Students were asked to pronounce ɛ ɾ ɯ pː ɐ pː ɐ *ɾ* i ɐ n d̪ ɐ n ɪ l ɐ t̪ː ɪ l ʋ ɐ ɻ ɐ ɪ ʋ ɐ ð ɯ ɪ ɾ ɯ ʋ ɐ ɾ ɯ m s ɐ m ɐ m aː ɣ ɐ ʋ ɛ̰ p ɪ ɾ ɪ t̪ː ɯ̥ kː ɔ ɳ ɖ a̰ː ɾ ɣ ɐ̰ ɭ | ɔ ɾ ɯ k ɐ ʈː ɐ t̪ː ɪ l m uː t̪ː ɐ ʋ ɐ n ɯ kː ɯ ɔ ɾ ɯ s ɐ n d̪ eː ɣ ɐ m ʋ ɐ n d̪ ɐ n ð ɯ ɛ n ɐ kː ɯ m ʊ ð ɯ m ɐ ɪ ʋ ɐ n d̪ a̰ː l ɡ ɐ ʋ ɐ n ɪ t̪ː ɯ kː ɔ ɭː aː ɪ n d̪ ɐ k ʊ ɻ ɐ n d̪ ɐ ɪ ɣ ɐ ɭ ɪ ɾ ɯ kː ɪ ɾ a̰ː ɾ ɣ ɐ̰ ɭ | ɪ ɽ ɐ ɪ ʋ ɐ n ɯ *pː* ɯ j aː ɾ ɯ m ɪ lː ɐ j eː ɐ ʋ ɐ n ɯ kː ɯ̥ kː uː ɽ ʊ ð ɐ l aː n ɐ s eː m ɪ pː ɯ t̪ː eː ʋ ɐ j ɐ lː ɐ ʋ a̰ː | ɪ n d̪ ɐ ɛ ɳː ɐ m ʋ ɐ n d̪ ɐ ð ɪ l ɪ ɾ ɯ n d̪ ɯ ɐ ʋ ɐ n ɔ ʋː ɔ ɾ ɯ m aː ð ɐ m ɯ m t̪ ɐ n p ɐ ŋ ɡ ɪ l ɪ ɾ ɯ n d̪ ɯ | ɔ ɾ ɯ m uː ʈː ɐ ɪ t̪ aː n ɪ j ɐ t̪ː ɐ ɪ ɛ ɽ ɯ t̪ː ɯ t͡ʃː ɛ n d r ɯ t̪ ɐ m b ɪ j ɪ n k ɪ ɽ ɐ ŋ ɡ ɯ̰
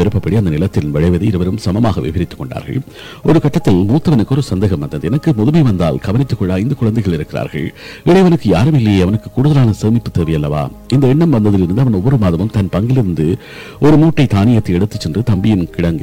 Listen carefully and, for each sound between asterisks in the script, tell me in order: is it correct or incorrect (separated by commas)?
incorrect, incorrect